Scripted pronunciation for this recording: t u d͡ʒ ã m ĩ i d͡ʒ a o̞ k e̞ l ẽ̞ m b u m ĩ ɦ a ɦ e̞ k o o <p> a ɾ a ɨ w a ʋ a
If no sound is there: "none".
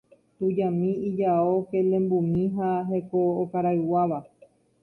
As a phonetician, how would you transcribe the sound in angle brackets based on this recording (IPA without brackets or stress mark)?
k